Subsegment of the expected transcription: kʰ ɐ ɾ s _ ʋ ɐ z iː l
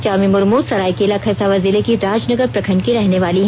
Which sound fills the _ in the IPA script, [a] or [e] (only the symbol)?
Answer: a